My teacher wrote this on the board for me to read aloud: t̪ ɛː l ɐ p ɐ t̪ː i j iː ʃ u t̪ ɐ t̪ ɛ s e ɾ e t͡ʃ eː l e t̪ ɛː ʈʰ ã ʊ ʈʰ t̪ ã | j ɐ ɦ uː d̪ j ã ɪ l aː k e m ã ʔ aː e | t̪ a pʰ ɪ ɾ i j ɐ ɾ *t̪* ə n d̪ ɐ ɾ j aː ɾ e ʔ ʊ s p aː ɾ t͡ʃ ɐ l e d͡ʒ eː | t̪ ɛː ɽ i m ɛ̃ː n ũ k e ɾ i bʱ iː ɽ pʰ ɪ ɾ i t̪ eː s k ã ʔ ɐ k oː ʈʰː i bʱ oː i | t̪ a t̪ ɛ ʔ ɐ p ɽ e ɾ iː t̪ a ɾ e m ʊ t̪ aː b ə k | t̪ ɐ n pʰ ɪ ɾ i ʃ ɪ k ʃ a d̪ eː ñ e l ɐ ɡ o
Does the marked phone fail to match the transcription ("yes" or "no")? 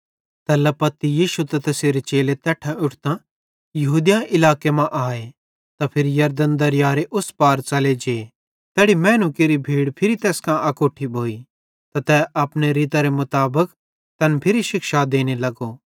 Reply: yes